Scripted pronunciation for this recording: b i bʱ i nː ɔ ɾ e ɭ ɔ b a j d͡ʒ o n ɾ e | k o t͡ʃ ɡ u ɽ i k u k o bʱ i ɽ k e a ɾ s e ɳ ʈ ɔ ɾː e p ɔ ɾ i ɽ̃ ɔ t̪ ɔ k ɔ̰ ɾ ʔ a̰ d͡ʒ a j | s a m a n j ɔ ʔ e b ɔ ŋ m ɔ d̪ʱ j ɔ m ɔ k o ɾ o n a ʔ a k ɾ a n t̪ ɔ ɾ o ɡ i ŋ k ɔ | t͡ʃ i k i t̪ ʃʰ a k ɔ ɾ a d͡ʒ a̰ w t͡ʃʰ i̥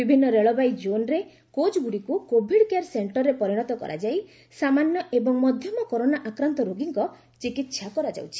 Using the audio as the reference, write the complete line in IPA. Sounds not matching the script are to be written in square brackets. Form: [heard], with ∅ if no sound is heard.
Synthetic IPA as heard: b i bʱ i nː ɔ ɾ e ɭ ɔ b a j d͡ʒ o n ɾ e | k o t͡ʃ ɡ u ɽ i k u k o bʱ i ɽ k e a ɾ s e ɳ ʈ ɔ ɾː e p ɔ ɾ i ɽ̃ ɔ t̪ ɔ k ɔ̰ ɾ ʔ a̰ d͡ʒ a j | s a m a n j ɔ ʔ e b ɔ ŋ m ɔ d̪ʱ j ɔ m ɔ k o ɾ o n a ʔ a k ɾ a n t̪ ɔ ɾ o ɡ i ŋ k ɔ | t͡ʃ i k i t̪ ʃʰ a k ɔ ɾ a d͡ʒ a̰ w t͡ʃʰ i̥